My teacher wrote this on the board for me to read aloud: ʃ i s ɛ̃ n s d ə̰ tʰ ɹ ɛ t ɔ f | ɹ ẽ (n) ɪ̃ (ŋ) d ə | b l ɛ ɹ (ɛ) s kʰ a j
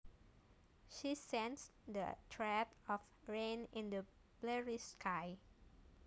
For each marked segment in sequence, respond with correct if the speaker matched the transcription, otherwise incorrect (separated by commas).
correct, incorrect, incorrect